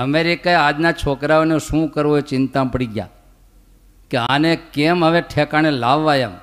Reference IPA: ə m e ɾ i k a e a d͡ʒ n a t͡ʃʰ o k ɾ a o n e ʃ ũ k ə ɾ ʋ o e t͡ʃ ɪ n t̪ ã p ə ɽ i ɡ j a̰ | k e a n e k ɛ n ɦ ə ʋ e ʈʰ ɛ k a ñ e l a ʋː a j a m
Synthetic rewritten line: ə m e ɾ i k a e a d͡ʒ n a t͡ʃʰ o k ɾ a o n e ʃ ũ k ə ɾ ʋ o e t͡ʃ ɪ n t̪ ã p ə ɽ i ɡ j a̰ | k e a n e k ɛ m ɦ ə ʋ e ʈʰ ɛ k a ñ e l a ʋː a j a m